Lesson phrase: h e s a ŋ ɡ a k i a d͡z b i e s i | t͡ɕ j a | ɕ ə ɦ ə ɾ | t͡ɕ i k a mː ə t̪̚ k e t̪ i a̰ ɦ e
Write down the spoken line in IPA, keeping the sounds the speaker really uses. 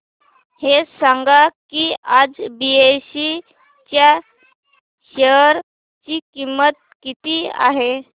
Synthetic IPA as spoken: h e s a ŋ ɡ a k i a d͡z b i e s i | t͡ɕ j a | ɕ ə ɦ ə ɾ | t͡ɕ i k i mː ə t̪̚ k i t̪ i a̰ ɦ e